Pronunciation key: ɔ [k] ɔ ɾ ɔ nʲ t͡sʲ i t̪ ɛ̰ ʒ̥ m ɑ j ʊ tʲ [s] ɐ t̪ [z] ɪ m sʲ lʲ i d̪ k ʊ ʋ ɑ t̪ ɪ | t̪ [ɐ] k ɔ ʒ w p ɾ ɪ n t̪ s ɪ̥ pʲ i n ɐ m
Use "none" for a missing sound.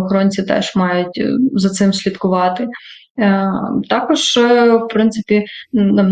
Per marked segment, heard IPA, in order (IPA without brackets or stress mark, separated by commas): x, z, s, ɑ